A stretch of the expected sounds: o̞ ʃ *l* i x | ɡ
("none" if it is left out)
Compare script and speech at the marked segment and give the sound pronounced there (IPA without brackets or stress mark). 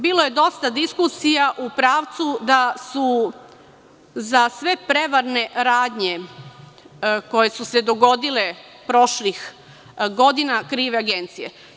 l